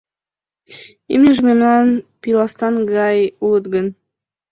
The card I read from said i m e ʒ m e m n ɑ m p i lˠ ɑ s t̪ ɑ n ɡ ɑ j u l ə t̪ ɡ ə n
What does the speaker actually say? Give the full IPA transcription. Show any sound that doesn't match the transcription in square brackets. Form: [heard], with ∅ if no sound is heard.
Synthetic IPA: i m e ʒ m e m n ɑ [n] p i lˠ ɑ s t̪ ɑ n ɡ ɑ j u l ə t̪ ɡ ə n

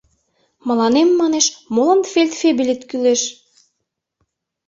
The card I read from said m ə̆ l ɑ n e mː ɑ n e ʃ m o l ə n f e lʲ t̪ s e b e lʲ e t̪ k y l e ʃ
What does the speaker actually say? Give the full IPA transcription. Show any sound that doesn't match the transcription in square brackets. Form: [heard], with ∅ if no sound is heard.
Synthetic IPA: m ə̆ l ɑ n e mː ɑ n e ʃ m o l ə n f e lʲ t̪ [f] e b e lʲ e t̪ k y l e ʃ

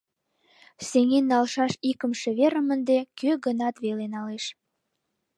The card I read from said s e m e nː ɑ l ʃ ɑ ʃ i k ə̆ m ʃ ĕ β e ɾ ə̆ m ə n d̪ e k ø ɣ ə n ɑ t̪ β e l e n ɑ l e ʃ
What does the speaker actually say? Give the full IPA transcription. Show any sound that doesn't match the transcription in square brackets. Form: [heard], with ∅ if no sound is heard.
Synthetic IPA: s e [ŋ] e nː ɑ l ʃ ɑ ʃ i k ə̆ m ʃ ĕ β e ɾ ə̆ m ə n d̪ e k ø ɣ ə n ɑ t̪ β e l e n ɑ l e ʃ

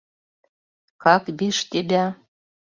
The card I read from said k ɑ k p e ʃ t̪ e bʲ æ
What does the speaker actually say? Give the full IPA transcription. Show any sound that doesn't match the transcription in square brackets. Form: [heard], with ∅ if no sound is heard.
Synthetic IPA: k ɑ k [b] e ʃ t̪ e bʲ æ

